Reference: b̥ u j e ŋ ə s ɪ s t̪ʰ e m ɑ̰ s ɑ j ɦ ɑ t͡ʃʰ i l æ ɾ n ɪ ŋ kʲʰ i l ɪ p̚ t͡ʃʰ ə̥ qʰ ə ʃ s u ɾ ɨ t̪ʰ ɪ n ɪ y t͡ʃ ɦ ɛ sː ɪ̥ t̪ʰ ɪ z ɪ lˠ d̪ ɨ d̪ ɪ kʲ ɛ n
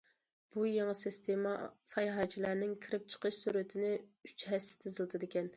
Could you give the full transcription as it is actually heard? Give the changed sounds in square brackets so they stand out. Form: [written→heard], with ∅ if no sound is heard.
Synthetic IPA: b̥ u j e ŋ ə s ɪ s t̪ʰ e m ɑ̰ s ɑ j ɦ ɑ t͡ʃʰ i l æ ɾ n ɪ ŋ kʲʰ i [l→ɾ] ɪ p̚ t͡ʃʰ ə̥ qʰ ə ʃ s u ɾ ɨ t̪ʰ ɪ n ɪ y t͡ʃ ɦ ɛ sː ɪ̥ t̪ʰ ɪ z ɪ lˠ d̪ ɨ d̪ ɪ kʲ ɛ n